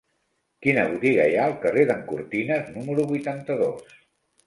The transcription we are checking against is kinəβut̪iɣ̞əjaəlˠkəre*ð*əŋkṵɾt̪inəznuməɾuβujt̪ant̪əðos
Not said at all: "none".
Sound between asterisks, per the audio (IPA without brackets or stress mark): ð